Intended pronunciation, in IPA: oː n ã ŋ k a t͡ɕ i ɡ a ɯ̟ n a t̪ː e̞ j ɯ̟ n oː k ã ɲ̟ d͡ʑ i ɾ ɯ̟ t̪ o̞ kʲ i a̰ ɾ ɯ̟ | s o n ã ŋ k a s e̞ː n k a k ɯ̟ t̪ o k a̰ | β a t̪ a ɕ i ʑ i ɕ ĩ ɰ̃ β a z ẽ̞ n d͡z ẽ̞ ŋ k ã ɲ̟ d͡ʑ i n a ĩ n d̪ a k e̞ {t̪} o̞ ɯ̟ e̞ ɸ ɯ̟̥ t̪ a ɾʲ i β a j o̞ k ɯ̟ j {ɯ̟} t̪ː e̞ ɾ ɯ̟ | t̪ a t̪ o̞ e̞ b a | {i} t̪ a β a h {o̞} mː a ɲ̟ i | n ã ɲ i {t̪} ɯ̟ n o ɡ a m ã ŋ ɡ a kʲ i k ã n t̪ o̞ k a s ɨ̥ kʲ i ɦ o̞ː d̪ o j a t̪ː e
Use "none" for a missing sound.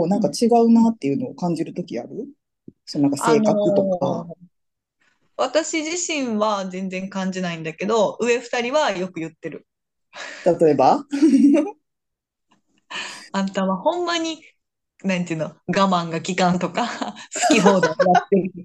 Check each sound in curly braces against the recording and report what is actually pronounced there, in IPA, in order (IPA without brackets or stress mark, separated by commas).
d̪, ɯ̟, a, õ̞, t̪